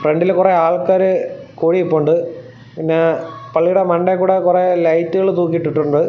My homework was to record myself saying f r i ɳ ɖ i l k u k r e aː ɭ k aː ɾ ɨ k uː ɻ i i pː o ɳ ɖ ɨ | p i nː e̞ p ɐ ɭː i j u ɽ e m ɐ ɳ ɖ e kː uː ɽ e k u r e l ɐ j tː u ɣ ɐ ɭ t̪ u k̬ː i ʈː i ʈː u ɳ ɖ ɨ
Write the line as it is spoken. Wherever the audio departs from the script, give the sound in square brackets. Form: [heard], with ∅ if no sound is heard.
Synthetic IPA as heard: f r [e] ɳ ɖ i l k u [∅] r e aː ɭ k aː ɾ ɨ k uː ɻ i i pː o ɳ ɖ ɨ | p i nː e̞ p ɐ ɭː i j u ɽ e m ɐ ɳ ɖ e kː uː ɽ e k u r e l ɐ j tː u ɣ ɐ ɭ t̪ [uː] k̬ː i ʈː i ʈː u ɳ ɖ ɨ